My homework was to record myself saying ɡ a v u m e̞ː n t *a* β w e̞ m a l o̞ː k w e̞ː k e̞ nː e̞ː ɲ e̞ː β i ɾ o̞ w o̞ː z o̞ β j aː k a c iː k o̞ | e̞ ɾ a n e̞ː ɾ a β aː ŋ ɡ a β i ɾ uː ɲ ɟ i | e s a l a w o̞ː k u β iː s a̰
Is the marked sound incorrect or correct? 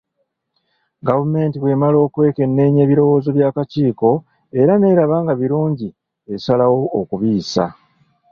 incorrect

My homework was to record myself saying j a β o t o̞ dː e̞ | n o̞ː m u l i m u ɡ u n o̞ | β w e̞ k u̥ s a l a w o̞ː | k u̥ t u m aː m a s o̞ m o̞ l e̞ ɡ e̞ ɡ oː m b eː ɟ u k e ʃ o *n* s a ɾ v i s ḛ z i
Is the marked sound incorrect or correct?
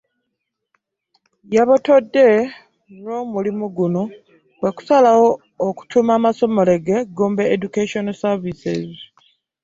correct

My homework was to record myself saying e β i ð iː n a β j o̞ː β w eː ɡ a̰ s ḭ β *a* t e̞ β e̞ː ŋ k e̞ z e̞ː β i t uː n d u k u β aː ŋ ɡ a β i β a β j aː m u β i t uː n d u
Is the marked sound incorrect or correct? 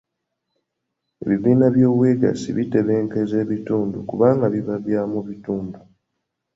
incorrect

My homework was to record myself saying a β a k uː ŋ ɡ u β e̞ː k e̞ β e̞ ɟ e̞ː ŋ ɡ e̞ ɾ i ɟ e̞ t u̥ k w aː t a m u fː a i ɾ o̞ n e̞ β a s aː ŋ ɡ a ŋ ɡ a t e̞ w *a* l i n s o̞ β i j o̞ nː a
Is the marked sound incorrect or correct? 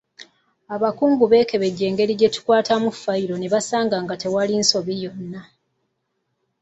correct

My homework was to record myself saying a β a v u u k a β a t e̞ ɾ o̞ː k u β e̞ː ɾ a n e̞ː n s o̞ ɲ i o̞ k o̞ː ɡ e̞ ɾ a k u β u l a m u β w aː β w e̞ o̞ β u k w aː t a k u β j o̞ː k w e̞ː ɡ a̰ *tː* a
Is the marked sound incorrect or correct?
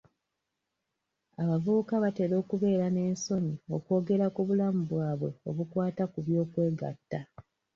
correct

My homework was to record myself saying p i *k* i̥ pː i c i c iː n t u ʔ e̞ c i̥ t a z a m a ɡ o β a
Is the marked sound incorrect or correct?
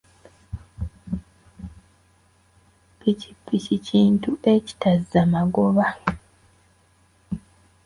incorrect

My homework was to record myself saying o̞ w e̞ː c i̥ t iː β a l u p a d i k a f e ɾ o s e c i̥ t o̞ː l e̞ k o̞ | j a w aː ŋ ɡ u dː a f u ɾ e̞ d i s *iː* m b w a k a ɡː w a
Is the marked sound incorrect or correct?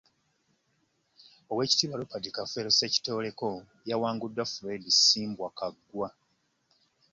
correct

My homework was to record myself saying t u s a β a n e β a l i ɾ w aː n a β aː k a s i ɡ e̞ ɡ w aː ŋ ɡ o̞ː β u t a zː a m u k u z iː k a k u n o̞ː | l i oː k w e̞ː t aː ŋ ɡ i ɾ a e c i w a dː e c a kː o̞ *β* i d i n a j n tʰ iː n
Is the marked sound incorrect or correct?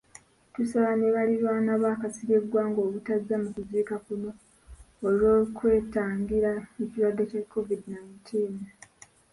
incorrect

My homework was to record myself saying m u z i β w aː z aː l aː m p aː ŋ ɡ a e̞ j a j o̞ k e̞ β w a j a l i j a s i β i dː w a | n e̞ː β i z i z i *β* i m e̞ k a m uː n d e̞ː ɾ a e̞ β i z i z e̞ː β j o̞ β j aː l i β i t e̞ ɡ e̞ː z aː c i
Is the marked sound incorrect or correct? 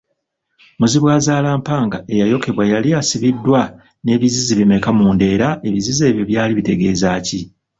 correct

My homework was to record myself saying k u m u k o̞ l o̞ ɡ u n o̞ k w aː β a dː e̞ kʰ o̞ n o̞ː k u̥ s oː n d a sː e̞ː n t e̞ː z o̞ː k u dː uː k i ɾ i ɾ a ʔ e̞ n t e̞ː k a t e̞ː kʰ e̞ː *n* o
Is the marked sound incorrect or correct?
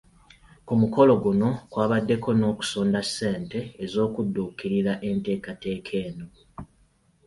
correct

